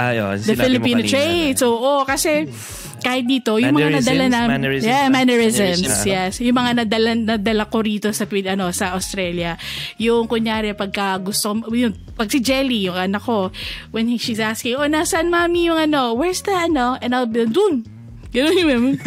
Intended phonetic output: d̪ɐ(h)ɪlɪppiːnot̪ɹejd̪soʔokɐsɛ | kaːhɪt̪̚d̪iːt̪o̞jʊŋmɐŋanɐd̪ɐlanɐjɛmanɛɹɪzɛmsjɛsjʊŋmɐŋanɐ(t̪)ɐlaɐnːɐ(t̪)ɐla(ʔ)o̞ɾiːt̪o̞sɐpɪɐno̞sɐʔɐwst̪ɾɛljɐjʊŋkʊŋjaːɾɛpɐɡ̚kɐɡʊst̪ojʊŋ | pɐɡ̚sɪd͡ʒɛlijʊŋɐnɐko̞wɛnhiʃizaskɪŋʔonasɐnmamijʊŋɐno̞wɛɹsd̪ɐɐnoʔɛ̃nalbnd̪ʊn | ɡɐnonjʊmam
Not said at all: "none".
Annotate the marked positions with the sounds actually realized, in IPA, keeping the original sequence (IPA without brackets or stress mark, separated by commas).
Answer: f, d̪, d̪, k